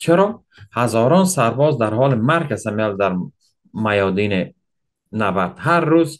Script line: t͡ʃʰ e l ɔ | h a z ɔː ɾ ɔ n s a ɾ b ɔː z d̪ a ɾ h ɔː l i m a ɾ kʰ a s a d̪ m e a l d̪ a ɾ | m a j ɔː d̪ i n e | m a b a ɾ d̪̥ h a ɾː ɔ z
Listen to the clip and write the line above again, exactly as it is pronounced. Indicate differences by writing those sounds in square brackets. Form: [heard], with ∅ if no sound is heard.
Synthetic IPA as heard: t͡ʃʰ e [ɾ] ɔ | h a z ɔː ɾ ɔ n s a ɾ b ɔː z d̪ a ɾ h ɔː l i m a ɾ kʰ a s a [∅] m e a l d̪ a ɾ | m a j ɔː d̪ i n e | [n] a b a ɾ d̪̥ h a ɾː [u] z